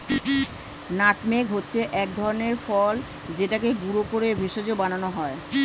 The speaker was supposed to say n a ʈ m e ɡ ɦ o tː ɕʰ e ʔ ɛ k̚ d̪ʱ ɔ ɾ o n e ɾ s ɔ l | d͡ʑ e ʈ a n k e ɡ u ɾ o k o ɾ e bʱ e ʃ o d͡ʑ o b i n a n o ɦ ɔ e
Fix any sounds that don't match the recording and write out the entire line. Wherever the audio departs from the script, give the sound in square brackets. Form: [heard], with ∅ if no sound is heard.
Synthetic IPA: n a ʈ m e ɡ ɦ o tː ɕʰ e ʔ ɛ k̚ d̪ʱ ɔ ɾ o n e ɾ [f] ɔ l | d͡ʑ e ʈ a [∅] k e ɡ u ɾ o k o ɾ e bʱ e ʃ o d͡ʑ o b [a] n a n o ɦ ɔ e